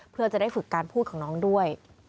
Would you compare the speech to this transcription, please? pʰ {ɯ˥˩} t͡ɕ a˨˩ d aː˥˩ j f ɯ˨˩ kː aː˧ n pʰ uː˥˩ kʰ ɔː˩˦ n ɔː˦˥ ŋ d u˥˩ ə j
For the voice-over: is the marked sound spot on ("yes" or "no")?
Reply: yes